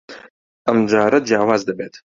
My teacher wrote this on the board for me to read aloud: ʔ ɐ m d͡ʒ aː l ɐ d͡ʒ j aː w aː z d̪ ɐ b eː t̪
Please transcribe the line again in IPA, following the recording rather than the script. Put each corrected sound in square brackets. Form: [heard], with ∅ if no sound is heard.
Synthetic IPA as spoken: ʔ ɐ m d͡ʒ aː [ɾ] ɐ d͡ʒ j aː w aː z d̪ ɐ b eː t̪